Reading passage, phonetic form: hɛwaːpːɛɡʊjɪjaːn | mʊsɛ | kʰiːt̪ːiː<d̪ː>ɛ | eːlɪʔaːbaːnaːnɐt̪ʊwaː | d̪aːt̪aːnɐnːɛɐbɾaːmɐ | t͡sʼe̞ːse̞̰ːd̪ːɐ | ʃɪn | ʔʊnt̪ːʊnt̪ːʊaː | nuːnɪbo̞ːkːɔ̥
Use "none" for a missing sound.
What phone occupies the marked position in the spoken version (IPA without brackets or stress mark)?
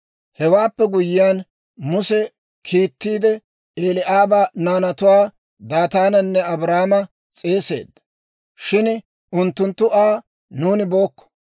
d̪